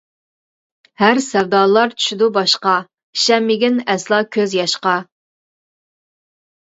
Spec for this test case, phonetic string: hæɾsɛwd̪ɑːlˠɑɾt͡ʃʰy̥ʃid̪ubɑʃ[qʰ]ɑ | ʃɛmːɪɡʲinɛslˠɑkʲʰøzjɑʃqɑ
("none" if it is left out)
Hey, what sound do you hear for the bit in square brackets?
q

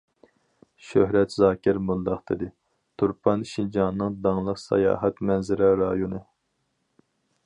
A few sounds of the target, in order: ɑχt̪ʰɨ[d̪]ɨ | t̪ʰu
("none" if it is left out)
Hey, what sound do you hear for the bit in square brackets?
d̪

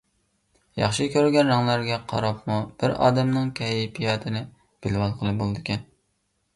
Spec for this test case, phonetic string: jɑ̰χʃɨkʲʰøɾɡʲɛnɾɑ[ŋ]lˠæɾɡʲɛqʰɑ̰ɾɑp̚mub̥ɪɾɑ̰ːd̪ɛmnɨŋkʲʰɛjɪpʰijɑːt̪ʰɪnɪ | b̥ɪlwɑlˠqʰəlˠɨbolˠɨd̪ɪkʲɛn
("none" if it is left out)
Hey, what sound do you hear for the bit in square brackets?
ŋ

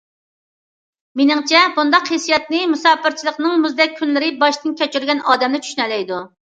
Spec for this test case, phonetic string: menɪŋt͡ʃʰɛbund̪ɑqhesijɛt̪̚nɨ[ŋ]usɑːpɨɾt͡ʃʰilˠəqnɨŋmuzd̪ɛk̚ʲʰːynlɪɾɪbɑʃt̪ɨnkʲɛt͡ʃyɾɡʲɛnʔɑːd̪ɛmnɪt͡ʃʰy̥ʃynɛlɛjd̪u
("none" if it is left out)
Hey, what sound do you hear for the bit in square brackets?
m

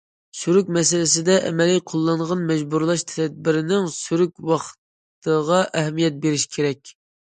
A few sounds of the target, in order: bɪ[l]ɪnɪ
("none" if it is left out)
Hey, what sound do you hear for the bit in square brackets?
ɾ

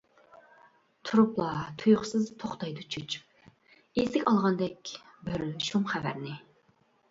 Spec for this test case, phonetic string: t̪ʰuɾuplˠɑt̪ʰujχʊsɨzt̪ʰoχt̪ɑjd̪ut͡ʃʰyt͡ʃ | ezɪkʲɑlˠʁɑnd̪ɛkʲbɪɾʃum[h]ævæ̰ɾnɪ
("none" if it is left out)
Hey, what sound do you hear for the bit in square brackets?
χ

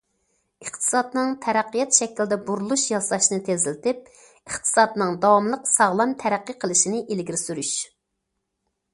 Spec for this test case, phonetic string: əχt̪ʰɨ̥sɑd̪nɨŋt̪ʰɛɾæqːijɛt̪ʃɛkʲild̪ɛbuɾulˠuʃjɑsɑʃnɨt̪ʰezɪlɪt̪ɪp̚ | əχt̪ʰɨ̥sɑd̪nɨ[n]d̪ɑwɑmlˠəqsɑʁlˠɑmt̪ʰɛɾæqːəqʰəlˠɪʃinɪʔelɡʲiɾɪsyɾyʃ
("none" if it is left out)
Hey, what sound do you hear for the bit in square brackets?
ŋ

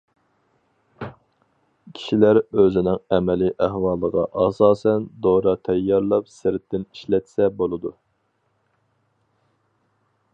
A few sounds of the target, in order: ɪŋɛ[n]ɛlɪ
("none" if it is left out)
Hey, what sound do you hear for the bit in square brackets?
m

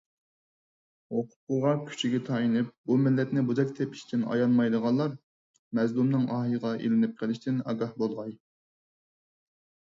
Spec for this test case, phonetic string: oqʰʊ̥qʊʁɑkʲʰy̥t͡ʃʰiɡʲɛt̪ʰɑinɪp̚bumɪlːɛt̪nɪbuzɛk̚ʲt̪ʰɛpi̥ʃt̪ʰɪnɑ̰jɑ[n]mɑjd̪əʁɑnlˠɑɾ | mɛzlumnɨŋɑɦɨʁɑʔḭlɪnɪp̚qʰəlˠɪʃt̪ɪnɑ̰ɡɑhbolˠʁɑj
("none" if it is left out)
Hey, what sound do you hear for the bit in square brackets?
n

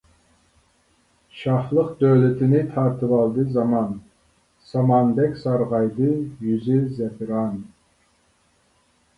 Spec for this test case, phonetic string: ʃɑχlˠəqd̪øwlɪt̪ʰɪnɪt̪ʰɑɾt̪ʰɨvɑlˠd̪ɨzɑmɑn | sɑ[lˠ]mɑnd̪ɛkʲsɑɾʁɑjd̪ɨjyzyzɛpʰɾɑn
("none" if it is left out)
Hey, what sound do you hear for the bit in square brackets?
none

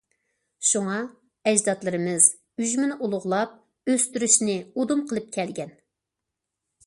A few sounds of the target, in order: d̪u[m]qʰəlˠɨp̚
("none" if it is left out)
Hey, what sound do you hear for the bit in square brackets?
m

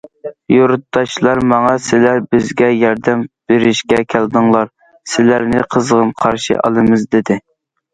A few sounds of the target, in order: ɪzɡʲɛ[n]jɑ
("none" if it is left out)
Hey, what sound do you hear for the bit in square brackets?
none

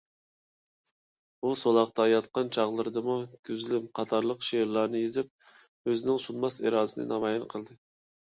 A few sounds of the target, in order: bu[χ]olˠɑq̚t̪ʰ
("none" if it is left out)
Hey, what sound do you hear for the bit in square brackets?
s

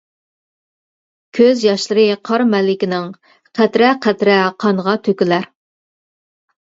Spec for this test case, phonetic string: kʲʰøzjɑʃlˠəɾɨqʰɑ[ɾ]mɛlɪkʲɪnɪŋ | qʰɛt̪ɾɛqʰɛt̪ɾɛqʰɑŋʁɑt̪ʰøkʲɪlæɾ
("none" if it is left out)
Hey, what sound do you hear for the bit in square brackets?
ɾ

